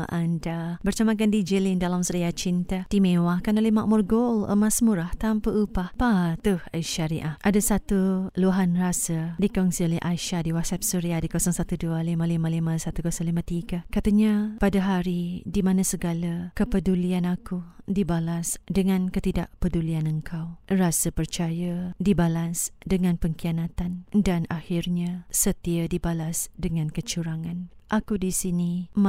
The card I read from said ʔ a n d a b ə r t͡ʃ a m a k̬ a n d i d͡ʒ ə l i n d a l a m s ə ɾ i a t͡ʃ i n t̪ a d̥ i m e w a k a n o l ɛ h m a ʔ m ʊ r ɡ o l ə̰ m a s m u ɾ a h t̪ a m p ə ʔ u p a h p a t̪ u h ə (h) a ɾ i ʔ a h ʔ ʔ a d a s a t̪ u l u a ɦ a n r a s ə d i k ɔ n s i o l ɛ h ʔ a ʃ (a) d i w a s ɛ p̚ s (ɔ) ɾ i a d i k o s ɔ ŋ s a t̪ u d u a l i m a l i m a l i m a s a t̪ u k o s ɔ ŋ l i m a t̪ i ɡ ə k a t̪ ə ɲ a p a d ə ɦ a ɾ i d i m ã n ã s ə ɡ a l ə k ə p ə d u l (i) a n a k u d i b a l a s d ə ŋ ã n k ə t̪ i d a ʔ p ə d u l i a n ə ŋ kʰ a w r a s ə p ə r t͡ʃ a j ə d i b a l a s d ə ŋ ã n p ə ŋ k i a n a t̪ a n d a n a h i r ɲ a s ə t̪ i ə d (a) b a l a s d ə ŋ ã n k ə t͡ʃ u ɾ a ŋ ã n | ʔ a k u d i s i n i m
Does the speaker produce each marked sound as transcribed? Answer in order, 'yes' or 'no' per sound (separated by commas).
no, yes, no, yes, no